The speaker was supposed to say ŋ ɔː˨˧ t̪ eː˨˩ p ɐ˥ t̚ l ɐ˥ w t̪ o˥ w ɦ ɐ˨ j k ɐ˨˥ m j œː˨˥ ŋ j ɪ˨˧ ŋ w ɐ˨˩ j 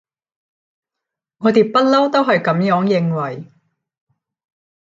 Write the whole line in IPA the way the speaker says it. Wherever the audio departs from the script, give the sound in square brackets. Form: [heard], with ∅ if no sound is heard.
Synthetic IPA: ŋ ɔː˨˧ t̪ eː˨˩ p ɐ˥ t̚ l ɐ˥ w t̪ o˥ w ɦ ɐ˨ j k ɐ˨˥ m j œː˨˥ ŋ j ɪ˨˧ ŋ w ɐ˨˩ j